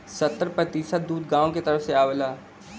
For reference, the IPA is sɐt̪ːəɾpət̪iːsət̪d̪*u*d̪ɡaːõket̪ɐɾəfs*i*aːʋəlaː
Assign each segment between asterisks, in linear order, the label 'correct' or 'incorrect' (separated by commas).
incorrect, incorrect